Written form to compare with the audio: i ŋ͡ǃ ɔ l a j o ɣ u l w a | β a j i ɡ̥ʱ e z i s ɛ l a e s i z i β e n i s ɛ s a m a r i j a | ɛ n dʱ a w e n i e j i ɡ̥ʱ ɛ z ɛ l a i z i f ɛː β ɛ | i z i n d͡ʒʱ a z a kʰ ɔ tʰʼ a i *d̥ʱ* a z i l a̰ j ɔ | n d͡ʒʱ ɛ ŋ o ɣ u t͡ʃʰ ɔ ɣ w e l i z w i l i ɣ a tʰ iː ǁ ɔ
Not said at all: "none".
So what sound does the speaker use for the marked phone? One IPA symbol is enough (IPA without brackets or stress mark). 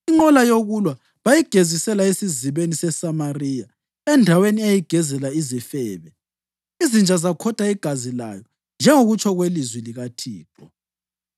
ɡ̥ʱ